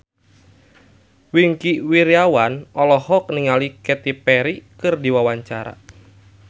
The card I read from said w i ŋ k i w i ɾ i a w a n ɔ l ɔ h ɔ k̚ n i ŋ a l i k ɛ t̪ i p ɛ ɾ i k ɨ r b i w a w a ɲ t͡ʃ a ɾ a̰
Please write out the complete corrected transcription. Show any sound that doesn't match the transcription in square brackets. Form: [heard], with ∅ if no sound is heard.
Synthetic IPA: w i ŋ k i w i ɾ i a w a n ɔ l ɔ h ɔ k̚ n i ŋ a l i k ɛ t̪ i p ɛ ɾ i k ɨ r [d] i w a w a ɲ t͡ʃ a ɾ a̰